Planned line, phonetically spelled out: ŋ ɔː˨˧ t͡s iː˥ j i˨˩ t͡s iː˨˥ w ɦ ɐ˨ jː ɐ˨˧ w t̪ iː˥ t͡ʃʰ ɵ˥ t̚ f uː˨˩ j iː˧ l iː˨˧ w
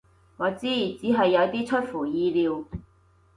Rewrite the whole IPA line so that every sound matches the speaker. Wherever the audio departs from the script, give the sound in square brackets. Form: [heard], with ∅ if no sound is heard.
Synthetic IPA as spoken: ŋ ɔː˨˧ t͡s iː˥ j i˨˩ t͡s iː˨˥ [∅] ɦ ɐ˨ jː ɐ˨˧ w t̪ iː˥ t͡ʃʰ ɵ˥ t̚ f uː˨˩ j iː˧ l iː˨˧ w

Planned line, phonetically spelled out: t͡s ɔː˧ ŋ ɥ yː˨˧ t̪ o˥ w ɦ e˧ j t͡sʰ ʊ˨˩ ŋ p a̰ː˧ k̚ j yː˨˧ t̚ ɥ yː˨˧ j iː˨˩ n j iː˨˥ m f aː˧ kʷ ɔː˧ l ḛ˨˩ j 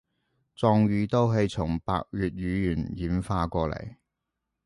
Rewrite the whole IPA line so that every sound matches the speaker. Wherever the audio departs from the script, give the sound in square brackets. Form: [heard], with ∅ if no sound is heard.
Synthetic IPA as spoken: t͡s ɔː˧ ŋ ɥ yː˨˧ t̪ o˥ w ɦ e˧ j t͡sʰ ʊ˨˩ ŋ p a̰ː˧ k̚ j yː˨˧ t̚ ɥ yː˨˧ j [yː˨˩] n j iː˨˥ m f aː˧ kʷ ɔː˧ l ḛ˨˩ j

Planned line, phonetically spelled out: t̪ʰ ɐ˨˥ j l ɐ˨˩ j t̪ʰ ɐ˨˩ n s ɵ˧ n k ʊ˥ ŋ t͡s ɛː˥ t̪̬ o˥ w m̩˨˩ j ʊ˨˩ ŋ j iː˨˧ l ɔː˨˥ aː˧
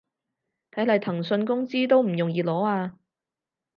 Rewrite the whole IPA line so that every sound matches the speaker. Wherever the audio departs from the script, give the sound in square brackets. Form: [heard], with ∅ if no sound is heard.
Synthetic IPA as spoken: t̪ʰ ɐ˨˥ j l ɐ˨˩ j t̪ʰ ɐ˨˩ [ŋ] s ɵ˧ n k ʊ˥ ŋ t͡s [iː˥] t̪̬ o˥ w m̩˨˩ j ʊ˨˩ ŋ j iː˨˧ l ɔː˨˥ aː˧

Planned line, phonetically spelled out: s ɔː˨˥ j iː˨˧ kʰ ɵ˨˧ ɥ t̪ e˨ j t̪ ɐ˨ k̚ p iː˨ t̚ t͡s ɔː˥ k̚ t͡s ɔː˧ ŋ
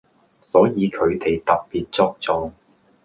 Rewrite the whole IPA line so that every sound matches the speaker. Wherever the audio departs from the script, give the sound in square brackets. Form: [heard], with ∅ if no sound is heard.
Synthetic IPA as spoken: s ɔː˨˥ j iː˨˧ kʰ ɵ˨˧ ɥ t̪ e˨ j t̪ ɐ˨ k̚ p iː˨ t̚ t͡s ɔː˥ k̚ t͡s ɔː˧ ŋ

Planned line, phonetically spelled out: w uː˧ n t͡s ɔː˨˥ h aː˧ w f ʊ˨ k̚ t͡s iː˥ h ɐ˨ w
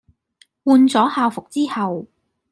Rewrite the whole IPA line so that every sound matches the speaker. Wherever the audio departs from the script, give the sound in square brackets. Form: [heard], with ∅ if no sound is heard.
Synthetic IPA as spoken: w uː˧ n t͡s ɔː˨˥ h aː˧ w f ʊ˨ k̚ t͡s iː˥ h ɐ˨ w

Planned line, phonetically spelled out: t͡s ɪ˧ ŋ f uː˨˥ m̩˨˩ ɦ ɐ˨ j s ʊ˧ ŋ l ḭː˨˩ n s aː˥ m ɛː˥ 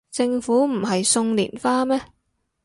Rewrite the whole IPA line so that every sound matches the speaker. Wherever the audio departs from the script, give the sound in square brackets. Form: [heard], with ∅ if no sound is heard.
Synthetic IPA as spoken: t͡s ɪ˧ ŋ f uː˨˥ m̩˨˩ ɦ ɐ˨ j s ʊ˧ ŋ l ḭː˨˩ n [f] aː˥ m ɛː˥

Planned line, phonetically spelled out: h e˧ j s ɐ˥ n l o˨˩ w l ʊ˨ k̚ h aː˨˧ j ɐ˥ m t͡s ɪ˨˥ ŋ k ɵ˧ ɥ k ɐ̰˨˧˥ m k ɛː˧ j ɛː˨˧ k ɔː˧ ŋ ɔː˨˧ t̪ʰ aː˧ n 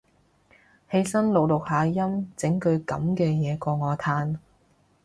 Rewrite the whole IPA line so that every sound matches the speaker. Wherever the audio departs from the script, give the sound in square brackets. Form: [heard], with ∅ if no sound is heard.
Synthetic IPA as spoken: h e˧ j s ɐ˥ n l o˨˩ w l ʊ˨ k̚ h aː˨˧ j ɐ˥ m t͡s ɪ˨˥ ŋ k ɵ˧ ɥ k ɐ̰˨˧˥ m k ɛː˧ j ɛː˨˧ k ɔː˧ ŋ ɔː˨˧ t̪ʰ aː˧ n

